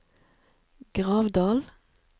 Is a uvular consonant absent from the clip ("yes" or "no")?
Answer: no